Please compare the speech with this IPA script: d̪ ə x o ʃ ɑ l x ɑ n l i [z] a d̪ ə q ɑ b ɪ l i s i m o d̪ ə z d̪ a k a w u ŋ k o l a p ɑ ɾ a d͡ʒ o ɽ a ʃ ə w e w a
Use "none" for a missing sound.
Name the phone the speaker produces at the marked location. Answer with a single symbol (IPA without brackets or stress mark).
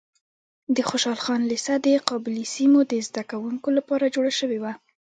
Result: s